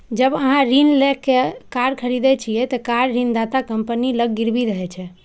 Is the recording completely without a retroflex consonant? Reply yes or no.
yes